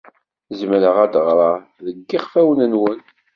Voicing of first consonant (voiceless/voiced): voiced